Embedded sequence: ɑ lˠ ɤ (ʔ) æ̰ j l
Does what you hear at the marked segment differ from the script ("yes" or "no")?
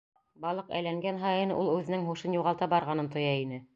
yes